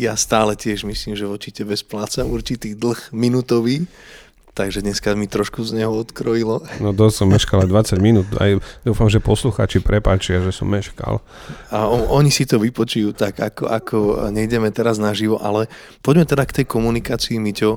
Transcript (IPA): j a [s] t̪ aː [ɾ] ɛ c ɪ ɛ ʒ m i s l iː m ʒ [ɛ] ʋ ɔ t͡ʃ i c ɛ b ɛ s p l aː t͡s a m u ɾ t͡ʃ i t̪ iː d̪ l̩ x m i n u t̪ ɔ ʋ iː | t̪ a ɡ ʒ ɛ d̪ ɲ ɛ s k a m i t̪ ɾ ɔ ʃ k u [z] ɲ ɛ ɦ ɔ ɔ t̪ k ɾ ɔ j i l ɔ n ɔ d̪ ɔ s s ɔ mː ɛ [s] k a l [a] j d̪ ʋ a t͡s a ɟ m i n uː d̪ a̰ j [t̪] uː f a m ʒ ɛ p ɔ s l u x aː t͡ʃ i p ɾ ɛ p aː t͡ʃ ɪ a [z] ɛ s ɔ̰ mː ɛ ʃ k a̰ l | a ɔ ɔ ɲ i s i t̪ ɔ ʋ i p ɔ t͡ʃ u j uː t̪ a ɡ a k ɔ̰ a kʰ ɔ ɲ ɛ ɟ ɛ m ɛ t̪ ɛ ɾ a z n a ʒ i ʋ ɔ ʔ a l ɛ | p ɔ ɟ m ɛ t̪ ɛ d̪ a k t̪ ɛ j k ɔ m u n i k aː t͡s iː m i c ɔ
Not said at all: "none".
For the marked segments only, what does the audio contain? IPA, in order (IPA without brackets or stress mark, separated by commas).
s, l, ɛ, z, ʃ, a, d̪, ʒ